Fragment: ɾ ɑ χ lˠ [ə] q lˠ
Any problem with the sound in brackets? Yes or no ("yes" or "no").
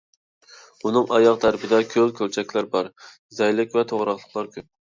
no